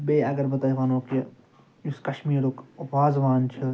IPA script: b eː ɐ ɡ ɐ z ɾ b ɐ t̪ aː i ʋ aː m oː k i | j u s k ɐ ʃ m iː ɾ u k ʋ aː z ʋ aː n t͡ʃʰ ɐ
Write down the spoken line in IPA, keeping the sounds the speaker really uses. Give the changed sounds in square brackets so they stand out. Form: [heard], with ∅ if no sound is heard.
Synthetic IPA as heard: b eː ɐ ɡ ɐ [∅] ɾ b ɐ t̪ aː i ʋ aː [n] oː k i | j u s k ɐ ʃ m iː ɾ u k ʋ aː z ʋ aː n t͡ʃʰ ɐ

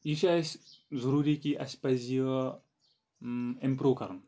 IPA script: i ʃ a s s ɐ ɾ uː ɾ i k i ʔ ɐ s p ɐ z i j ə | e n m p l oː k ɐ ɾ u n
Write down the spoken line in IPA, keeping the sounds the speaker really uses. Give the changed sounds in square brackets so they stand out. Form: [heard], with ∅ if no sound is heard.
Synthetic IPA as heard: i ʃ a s [z] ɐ ɾ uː ɾ i k i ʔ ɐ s p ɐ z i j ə | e [∅] m p [ɾ] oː k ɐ ɾ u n

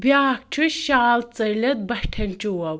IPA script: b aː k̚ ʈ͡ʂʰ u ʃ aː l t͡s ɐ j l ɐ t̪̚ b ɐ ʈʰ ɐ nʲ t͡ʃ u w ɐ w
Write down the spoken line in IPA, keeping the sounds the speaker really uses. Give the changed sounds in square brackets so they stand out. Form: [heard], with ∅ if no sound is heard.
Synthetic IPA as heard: b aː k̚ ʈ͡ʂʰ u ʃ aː l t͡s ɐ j l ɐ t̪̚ b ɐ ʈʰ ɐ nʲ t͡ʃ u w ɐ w

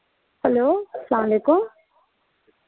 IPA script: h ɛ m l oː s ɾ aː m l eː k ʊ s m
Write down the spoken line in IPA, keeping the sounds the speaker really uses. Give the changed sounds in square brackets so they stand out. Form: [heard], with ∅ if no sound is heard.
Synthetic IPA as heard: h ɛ [∅] l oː s [l] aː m l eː k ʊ [∅] m

